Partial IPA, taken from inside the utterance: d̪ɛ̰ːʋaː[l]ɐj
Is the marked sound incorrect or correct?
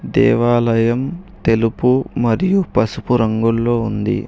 correct